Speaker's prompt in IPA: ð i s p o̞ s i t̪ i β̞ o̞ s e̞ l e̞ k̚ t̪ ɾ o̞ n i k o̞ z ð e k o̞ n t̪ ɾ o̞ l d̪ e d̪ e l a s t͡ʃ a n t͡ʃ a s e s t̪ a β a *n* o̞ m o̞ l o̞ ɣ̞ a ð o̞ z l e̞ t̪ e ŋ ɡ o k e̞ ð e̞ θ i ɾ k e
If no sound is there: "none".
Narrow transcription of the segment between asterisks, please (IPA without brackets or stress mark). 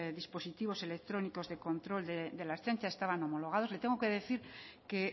n